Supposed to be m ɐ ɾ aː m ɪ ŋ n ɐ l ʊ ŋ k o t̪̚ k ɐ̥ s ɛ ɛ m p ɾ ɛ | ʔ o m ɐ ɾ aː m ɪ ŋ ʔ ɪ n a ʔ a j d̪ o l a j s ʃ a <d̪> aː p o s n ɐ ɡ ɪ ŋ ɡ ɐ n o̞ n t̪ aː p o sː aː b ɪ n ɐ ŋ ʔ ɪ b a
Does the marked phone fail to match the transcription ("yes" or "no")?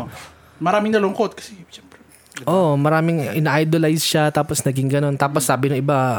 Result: yes